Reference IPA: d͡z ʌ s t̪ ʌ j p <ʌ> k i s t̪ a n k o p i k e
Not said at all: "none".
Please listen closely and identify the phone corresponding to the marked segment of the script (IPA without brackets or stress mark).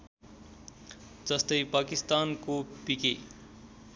a